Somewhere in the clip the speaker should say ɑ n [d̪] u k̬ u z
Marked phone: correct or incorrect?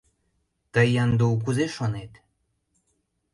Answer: correct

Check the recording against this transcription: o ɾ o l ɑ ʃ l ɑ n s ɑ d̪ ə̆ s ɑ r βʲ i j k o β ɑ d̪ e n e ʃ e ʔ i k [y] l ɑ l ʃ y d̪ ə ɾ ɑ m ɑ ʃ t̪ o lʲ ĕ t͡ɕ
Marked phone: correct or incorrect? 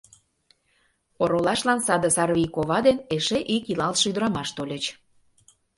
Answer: incorrect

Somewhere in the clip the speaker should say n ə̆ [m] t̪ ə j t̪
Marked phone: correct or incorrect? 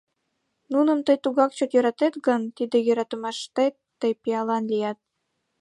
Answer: correct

